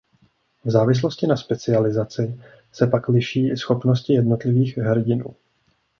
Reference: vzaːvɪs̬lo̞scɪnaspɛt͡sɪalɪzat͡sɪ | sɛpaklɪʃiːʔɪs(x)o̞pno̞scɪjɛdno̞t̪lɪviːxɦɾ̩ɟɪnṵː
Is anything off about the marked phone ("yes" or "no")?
no